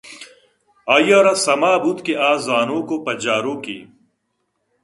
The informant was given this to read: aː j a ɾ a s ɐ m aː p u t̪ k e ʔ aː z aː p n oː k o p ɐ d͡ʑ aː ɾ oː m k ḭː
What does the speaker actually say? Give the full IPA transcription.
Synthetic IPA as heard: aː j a ɾ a s ɐ m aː b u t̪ k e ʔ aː z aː n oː k o p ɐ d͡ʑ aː ɾ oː k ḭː